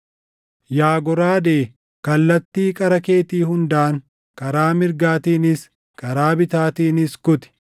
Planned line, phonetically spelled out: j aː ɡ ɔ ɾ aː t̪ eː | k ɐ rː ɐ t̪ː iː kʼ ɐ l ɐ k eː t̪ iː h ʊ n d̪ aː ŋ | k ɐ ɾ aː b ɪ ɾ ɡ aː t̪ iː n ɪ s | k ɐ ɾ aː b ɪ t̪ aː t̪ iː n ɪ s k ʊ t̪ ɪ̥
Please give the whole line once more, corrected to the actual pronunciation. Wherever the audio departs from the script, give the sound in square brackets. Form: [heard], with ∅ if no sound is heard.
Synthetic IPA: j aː ɡ ɔ ɾ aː [d̪] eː | k ɐ [lː] ɐ t̪ː iː kʼ ɐ [ɾ] ɐ k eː t̪ iː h ʊ n d̪ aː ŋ | k ɐ ɾ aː [m] ɪ ɾ ɡ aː t̪ iː n ɪ s | k ɐ ɾ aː b ɪ t̪ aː t̪ iː n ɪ s k ʊ t̪ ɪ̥